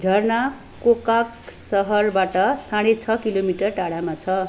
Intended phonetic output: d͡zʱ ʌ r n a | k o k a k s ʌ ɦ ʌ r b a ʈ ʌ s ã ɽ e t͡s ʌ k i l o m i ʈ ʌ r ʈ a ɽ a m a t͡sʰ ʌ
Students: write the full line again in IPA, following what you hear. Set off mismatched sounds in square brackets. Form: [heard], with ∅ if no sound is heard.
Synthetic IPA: d͡zʱ ʌ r n a | k o k a k s ʌ ɦ ʌ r b a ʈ ʌ s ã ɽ e [t͡sʰ] ʌ k i l o m i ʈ ʌ r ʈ a ɽ a m a t͡sʰ ʌ

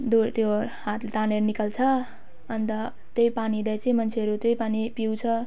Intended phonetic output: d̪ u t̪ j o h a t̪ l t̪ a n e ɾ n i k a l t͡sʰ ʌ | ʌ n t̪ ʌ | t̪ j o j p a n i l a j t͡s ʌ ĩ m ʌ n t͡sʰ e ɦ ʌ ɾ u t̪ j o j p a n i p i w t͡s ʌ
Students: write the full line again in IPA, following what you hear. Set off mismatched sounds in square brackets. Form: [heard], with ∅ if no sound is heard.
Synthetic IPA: d̪ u t̪ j o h a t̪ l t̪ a n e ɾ n i k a l t͡sʰ ʌ | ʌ n t̪ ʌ | t̪ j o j p a n i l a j t͡s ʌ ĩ m ʌ n t͡sʰ e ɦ ʌ ɾ u t̪ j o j p a n i p i w [t͡sʰ] ʌ

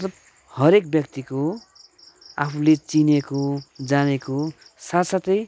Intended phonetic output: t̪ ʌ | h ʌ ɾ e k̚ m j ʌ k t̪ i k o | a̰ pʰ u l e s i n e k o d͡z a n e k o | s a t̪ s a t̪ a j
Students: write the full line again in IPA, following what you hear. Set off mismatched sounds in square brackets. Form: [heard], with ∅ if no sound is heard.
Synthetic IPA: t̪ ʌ | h ʌ ɾ e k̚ [b] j ʌ k t̪ i k o | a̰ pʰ u l e [t͡s] i n e k o d͡z a n e k o | s a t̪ s a t̪ [ʌ] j

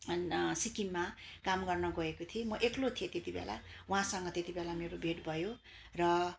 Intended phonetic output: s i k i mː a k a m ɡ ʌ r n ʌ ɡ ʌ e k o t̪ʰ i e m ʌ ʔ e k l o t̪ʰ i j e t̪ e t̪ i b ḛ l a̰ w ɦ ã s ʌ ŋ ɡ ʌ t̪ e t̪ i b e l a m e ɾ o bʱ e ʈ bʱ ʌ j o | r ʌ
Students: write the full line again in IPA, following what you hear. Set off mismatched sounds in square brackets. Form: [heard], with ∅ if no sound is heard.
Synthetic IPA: s i k i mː a k a m ɡ ʌ r n ʌ ɡ ʌ e k o t̪ʰ i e m ʌ ʔ e k l o t̪ʰ i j e t̪ e t̪ i b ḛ l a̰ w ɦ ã s ʌ ŋ ɡ ʌ t̪ e t̪ i b e l a m e ɾ o bʱ e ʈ bʱ ʌ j o | r ʌ

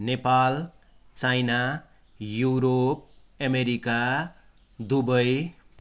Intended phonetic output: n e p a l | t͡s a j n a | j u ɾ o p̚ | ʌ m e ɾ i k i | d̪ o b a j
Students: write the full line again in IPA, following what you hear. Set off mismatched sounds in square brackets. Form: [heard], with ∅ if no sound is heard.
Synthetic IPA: n e p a l | t͡s a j n a | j u ɾ o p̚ | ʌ m e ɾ i k [a] | d̪ [u] b [ʌ] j

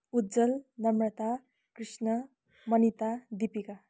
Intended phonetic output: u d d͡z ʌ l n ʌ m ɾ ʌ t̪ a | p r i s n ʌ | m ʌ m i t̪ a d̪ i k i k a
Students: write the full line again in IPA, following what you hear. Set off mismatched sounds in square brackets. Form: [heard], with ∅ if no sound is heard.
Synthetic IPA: u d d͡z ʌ l n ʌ m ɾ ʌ t̪ a | [k] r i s n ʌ | m ʌ [n] i t̪ a d̪ i [p] i k a

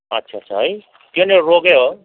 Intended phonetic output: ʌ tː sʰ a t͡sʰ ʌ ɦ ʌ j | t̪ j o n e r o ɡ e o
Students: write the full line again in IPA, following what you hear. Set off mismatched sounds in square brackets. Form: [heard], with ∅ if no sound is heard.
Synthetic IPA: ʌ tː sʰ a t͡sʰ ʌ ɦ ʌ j | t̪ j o n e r o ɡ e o

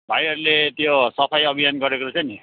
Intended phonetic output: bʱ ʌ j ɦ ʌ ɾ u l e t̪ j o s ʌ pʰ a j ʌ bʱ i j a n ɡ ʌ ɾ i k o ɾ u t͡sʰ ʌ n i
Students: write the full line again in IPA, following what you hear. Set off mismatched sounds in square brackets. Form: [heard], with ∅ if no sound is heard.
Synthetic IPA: bʱ [a] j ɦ ʌ ɾ u l e t̪ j o s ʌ pʰ a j ʌ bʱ i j a n ɡ ʌ ɾ [e] k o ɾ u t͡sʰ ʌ n i

